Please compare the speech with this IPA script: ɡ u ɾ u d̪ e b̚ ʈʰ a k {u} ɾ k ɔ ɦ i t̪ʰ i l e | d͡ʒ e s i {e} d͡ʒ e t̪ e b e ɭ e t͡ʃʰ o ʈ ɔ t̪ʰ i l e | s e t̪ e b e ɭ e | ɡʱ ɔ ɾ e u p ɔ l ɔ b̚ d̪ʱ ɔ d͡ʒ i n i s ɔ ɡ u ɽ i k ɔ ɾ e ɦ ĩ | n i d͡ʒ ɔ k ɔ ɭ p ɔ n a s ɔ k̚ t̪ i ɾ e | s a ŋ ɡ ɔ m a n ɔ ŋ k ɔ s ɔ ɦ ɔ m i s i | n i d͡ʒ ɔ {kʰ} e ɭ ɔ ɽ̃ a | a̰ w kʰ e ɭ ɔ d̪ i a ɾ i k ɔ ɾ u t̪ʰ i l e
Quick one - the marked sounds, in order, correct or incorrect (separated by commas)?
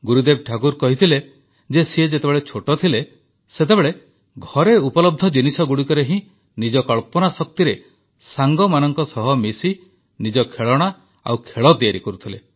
correct, correct, correct